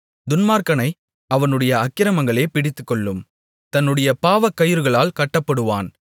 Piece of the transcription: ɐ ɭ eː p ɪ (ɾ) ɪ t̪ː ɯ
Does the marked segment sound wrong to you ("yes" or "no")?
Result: yes